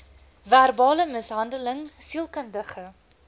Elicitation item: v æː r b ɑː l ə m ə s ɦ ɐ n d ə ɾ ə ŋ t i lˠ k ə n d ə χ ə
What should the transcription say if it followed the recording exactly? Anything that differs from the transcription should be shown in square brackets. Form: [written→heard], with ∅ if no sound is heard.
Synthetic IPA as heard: v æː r b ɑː l ə m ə s ɦ ɐ n d ə [ɾ→l] ə ŋ [t→s] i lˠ k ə n d ə χ ə